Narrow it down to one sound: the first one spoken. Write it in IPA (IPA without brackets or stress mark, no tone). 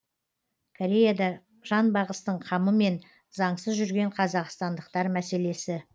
kʰ